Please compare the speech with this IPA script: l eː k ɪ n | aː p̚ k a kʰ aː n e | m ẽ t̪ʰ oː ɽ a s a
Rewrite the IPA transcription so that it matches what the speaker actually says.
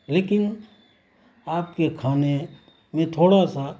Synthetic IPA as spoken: l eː k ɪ n | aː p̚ k e kʰ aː n e | m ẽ t̪ʰ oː ɽ a s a